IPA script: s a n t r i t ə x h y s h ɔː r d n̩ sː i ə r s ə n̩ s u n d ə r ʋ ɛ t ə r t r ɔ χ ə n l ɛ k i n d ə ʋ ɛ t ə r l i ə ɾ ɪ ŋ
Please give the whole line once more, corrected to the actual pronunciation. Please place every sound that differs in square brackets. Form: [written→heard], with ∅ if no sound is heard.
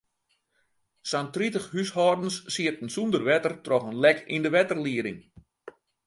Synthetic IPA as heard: s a n t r i t ə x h y s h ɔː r d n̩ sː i ə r [s→t] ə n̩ s u n d ə r ʋ ɛ t ə r t r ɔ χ ə n l ɛ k i n d ə ʋ ɛ t ə r l i ə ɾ ɪ ŋ